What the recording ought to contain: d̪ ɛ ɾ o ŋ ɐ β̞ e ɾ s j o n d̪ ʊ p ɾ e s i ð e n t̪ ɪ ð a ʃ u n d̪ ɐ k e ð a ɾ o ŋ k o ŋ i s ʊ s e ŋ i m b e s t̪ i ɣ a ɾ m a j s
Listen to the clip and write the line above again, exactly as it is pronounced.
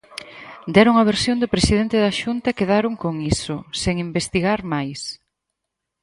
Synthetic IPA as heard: d̪ ɛ ɾ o ŋ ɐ β̞ e ɾ s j o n d̪ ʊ p ɾ e s i ð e n t̪ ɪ ð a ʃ u n t̪ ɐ k e ð a ɾ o ŋ k o ŋ i s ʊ s e ŋ i m b e s t̪ i ɣ a ɾ m a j s